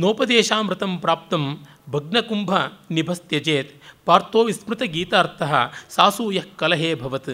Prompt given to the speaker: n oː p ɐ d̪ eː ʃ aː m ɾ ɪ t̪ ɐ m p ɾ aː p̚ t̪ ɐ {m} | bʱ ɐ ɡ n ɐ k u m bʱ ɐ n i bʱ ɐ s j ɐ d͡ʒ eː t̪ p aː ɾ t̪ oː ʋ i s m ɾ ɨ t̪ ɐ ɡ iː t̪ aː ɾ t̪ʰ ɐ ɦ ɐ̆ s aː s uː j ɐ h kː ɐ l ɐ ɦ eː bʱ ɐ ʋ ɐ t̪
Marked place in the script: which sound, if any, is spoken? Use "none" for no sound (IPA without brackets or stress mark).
m